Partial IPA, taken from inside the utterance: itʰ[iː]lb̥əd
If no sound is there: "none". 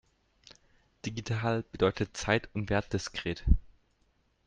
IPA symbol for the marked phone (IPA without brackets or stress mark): aː